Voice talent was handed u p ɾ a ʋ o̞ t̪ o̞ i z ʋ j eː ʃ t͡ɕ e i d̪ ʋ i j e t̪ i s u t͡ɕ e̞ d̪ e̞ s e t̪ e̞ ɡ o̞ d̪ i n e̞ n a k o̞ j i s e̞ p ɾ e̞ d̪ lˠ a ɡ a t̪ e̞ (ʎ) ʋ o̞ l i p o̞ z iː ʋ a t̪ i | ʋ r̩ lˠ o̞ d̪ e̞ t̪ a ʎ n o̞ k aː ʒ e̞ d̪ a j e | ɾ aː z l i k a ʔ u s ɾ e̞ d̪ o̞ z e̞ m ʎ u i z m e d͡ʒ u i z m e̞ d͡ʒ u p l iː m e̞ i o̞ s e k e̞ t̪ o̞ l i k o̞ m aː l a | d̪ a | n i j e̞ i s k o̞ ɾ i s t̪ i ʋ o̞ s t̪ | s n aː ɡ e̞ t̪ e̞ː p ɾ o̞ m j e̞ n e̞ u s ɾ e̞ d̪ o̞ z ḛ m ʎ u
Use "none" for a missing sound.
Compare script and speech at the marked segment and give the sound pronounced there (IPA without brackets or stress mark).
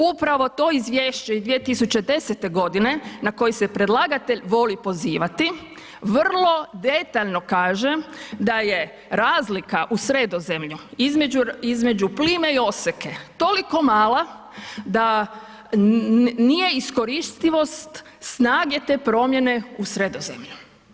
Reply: ʎ